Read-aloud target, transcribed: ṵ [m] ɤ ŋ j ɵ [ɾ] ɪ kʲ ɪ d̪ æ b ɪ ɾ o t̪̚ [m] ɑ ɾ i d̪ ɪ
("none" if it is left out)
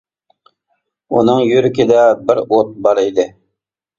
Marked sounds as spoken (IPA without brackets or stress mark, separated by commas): n, ɾ, b